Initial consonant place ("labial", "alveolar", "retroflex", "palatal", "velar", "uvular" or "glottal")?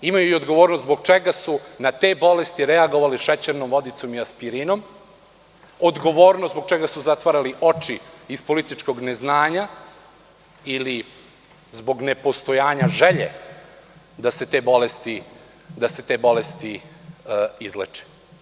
labial